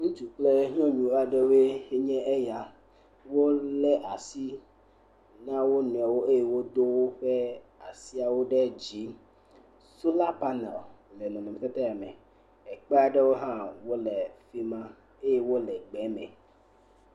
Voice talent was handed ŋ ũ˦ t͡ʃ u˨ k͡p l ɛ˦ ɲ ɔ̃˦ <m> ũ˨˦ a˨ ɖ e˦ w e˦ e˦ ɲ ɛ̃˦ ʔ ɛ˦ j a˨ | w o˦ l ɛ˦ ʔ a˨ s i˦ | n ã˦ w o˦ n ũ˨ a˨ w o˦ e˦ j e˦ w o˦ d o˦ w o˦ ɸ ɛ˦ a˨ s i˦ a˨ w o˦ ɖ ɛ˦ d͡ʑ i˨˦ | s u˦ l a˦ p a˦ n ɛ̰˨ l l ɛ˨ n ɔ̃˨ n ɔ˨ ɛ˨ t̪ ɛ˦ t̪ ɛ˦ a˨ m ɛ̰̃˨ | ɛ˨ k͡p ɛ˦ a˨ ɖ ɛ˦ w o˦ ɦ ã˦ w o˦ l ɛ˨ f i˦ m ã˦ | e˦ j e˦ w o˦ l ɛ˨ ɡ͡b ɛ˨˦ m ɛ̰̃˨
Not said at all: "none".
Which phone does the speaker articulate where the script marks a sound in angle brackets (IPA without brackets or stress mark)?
ɲ